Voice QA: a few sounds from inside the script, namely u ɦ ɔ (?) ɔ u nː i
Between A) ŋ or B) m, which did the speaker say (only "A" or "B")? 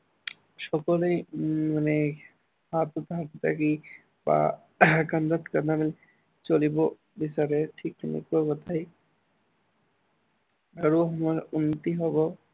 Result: B